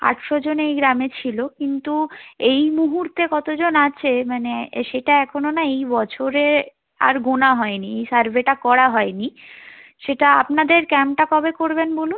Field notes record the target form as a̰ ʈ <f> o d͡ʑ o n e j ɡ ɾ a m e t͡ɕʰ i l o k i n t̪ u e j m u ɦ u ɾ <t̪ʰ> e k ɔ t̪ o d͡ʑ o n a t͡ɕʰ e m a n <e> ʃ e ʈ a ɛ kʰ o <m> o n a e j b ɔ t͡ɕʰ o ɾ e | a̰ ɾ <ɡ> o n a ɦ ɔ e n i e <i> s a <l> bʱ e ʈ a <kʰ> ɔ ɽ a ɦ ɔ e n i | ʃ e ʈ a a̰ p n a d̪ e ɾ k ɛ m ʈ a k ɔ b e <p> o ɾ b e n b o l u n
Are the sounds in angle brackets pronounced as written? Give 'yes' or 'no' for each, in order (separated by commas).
no, no, yes, no, yes, no, no, no, no